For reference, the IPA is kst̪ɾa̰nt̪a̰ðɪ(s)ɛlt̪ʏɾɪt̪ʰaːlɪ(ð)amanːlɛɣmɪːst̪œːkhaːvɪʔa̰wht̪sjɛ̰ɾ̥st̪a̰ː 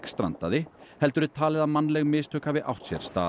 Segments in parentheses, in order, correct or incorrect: incorrect, correct

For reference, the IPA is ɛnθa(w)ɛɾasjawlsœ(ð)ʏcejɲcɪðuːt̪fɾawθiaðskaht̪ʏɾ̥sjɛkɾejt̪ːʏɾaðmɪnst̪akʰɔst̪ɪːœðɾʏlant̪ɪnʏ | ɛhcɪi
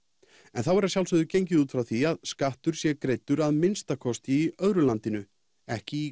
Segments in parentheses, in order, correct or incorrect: correct, correct

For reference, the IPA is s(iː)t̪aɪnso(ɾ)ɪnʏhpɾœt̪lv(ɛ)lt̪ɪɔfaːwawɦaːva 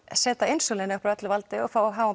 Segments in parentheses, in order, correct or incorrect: incorrect, incorrect, incorrect

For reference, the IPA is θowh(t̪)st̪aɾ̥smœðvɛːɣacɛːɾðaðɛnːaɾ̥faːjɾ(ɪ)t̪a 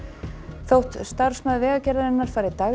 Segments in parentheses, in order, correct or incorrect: correct, correct

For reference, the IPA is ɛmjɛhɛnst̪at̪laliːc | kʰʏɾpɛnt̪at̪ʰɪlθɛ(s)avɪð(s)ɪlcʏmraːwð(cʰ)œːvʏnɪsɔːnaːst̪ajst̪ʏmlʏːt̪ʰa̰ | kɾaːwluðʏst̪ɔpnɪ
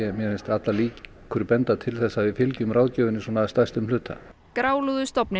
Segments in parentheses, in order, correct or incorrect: incorrect, incorrect, incorrect

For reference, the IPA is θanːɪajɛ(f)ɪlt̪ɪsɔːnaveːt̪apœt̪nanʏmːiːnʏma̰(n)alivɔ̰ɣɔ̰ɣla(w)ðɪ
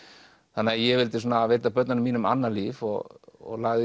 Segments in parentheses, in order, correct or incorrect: incorrect, incorrect, incorrect

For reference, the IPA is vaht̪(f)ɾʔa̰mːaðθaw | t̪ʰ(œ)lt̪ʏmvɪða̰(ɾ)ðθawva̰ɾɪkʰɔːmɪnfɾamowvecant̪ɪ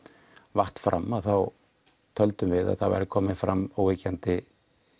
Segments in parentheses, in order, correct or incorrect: correct, correct, incorrect

